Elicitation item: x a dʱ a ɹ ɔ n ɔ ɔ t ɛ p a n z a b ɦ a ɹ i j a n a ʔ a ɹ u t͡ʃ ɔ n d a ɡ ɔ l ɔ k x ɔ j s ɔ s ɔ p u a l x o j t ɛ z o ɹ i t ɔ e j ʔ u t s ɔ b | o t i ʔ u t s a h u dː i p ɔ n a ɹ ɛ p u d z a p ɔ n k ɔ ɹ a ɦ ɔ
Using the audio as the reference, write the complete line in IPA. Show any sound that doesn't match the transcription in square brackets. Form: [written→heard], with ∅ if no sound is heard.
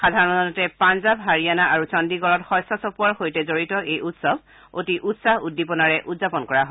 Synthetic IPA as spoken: x a dʱ a ɹ ɔ n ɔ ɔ t ɛ p a n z a b ɦ a ɹ i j a n a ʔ a ɹ u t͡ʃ ɔ n d [a→i] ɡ ɔ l ɔ [k→t] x ɔ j s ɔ s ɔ p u a [l→ɹ] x o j t ɛ z o ɹ i t ɔ e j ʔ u t s ɔ b | o t i ʔ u t s a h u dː i p ɔ n a ɹ ɛ [p→ʔ] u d z a p ɔ n k ɔ ɹ a ɦ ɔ